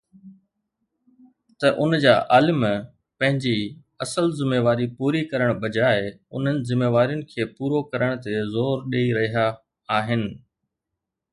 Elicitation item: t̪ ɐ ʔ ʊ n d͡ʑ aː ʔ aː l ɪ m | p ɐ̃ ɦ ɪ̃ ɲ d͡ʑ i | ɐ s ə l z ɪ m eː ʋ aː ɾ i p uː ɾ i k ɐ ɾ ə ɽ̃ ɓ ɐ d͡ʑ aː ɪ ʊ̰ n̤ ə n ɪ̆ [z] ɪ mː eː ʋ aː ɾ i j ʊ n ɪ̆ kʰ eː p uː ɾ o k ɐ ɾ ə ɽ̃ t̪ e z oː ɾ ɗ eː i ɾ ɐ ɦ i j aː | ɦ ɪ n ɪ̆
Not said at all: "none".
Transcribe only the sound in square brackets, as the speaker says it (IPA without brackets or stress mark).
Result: z